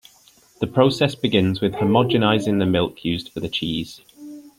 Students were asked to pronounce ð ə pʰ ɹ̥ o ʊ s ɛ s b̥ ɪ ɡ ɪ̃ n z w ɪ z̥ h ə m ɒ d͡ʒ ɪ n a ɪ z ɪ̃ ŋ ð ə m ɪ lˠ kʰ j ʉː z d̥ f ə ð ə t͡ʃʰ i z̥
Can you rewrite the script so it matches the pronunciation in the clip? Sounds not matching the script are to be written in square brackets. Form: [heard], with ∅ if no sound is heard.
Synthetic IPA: ð ə pʰ ɹ̥ o ʊ s ɛ s b̥ ɪ ɡ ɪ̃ n z w ɪ [ð̥] h ə m ɒ d͡ʒ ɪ n a ɪ z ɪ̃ ŋ ð ə m ɪ lˠ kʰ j ʉː z d̥ f ə ð ə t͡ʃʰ [iː] z̥